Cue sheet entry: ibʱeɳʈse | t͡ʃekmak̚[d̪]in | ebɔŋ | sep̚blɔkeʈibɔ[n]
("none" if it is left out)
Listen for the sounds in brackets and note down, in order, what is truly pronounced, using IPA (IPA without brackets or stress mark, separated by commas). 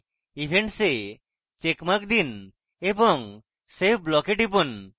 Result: d̪, n